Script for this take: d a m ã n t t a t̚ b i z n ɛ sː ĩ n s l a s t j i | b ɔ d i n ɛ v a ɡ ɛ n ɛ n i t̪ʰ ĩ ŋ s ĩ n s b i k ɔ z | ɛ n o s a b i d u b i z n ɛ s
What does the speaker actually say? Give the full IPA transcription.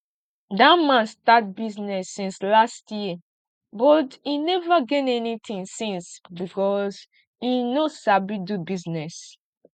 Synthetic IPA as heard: d a m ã n s t a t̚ b i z n ɛ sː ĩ n s l a s t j i | b ɔ t i n ɛ v a ɡ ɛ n ɛ n i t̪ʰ ĩ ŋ s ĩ n s b i k ɔ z | i n o s a b i d u b i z n ɛ s

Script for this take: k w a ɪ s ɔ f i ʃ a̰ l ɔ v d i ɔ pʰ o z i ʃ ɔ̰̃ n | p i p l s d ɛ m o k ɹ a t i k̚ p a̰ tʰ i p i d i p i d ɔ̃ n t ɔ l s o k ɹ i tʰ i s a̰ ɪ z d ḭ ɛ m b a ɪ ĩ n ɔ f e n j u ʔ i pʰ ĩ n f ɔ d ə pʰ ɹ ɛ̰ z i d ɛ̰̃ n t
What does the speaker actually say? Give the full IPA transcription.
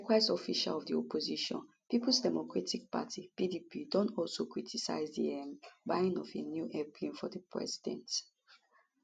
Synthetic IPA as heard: k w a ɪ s ɔ f i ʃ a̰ l ɔ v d i ɔ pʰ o z i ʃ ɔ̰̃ n | p i p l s d ɛ m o k ɹ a t i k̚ p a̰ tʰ i p i d i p i d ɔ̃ n t ɔ l s o k ɹ i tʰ i s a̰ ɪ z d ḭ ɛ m b a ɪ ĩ n ɔ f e n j u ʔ ɛ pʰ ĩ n f ɔ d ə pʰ ɹ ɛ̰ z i d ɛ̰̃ n t

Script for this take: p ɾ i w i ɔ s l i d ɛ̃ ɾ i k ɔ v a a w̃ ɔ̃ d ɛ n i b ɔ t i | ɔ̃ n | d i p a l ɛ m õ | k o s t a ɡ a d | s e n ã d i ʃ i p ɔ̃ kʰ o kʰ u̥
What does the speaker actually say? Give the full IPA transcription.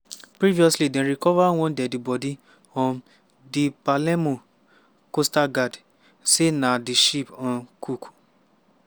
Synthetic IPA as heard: p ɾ i v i ɔ s l i d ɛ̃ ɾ i k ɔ v a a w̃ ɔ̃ d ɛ d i b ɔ d i | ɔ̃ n | d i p a l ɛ m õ | k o s t a ɡ a d | s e n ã d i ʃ i p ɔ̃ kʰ u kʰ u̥

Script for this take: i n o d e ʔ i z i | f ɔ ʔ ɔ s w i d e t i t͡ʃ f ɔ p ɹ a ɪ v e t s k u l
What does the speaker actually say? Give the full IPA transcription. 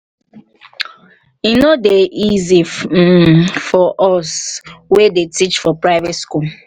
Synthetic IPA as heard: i n o d e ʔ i z i | f ɔ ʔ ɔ s w e d e t i t͡ʃ f ɔ p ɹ a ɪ v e t s k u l

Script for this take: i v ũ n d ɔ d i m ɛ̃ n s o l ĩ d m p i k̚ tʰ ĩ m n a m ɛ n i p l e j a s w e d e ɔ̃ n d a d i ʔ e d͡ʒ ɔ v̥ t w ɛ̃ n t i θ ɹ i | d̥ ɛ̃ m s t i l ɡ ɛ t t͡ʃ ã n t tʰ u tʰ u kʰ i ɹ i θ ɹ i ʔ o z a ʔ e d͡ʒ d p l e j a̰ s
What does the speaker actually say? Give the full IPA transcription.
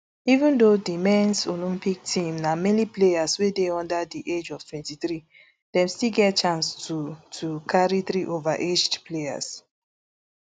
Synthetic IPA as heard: i v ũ n d o d i m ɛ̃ n s o l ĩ m p i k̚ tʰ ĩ m n a m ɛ n i p l e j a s w e d e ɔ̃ n d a d i ʔ e d͡ʒ ɔ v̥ t w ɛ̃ n t i θ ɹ i | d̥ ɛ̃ m s t i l ɡ ɛ t t͡ʃ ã n s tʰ u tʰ u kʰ a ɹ i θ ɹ i ʔ o v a ʔ e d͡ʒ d p l e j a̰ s

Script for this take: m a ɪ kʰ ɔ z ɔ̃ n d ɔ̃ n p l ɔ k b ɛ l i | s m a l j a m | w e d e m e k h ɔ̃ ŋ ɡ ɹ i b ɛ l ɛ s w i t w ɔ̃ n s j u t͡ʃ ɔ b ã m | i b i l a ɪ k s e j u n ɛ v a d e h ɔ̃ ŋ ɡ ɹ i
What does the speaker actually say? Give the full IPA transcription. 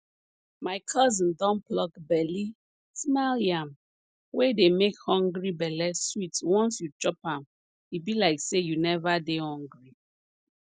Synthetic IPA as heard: m a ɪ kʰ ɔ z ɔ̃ n d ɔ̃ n p l ɔ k b ɛ l i | s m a l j a m | w e d e m e k h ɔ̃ ŋ ɡ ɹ i b ɛ l ɛ s w i t w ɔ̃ n s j u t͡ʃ ɔ p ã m | i b i l a ɪ k s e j u n ɛ v a d e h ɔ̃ ŋ ɡ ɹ i

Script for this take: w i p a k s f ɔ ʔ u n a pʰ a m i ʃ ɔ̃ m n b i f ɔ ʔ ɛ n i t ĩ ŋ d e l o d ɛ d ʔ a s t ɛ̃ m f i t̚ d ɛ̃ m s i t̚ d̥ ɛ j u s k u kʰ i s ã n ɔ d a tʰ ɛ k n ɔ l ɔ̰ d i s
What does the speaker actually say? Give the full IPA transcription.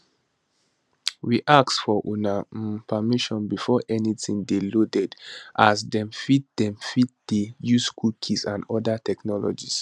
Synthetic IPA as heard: w i ʔ a k s f ɔ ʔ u n a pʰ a m i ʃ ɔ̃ n b i f ɔ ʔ ɛ n i t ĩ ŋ d e l o d ɛ d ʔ a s d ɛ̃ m f i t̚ d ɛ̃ m f i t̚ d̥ e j u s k u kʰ i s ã n ɔ d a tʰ ɛ k n ɔ l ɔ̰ d͡ʒ i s

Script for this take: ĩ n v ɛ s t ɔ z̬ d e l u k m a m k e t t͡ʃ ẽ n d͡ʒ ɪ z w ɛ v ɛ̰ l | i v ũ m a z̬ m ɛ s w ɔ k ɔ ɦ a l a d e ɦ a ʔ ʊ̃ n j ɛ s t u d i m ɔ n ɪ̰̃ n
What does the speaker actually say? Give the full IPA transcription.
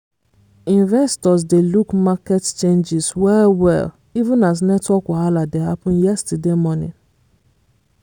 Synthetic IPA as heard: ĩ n v ɛ s t ɔ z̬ d e l u k m a k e t t͡ʃ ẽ n d͡ʒ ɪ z w ɛ w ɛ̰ l | i v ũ n a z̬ n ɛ t w ɔ k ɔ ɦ a l a d e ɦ a p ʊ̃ n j ɛ s t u d e m ɔ n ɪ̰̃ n

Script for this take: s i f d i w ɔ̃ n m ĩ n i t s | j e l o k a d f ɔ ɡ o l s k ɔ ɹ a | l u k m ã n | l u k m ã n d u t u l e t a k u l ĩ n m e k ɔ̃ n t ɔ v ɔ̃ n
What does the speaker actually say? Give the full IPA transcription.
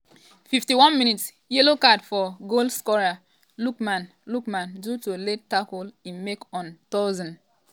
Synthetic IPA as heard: f i f t i w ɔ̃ n m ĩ n i t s | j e l o k a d f ɔ ɡ o l s k ɔ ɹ a | l u k m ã n | l u k m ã n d u t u l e t a k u l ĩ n m e k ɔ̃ n t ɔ z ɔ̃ n

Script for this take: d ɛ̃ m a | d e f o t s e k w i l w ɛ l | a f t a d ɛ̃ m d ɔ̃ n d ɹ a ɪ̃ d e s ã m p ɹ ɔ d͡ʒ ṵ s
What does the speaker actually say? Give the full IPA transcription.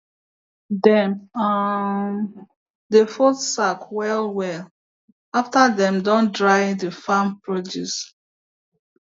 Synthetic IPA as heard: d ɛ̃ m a | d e f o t s a k w ɛ l w ɛ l | a f t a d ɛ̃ m d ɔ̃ n d ɹ a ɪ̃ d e f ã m p ɹ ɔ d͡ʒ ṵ s

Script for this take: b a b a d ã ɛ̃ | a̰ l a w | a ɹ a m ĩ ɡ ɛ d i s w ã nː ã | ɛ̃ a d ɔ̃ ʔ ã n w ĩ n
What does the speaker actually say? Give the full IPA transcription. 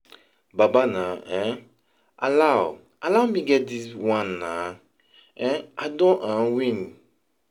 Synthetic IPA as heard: b a b a n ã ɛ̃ | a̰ l a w | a l a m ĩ ɡ ɛ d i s w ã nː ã | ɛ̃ a d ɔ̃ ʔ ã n w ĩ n

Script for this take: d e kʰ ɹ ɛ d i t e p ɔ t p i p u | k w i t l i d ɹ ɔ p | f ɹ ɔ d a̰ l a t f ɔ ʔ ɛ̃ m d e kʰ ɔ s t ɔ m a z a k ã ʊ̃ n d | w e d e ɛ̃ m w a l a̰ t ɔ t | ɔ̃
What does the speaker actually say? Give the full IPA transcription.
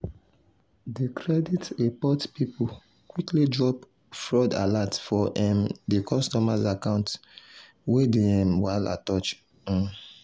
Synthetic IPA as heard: d e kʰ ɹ ɛ d i t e p ɔ t p i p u | k w i k l i d ɹ ɔ p | f ɹ ɔ d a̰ l a t f ɔ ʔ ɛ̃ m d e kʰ ɔ s t ɔ m a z a k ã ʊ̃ n t | w e d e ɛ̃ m w a l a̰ t ɔ t͡ʃ | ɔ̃

